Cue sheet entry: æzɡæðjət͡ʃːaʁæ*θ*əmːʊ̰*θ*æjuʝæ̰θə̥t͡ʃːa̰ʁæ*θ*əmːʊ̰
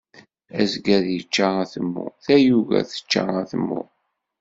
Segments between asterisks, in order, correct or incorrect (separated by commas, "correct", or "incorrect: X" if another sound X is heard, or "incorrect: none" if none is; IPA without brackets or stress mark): correct, correct, correct